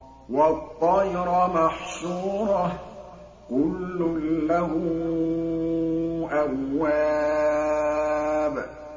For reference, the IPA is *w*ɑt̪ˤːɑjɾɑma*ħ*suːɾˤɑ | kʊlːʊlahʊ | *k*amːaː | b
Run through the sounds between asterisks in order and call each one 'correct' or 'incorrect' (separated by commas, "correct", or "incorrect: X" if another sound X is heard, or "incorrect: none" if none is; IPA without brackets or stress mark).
correct, correct, incorrect: ʔ